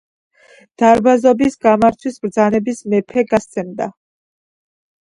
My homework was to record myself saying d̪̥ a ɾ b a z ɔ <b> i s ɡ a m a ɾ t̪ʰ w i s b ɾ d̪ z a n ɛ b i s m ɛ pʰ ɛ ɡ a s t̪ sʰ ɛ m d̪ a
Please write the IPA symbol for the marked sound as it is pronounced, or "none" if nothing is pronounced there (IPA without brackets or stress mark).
b